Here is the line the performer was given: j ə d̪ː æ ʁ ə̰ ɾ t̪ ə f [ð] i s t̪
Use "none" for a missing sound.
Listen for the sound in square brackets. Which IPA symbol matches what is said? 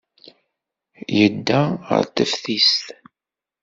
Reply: θ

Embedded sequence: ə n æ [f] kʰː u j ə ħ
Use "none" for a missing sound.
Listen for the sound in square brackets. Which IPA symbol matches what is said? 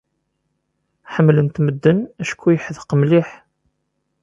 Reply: ʃ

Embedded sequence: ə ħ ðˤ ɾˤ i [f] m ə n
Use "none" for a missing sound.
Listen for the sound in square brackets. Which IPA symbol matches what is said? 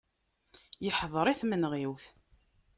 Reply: θ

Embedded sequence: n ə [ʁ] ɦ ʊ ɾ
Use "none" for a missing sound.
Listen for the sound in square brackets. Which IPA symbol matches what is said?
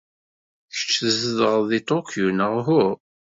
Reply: ʁ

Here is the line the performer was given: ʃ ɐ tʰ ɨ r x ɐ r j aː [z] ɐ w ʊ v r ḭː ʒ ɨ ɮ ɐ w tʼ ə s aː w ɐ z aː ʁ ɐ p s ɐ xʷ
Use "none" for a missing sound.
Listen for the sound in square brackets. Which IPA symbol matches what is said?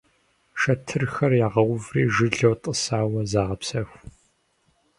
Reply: ʁ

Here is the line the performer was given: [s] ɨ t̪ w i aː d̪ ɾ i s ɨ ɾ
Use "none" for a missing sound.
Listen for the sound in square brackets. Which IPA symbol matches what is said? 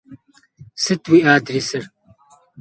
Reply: s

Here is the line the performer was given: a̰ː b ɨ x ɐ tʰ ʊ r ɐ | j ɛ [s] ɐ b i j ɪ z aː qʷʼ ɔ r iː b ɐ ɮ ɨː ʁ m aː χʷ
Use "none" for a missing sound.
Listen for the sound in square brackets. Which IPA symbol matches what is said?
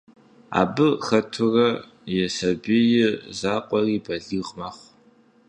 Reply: s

